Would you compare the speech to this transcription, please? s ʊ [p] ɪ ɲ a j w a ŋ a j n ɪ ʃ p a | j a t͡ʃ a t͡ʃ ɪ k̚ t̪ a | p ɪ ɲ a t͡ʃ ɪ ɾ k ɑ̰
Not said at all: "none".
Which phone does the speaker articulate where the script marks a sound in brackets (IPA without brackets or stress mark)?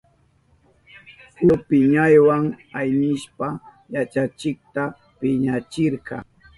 p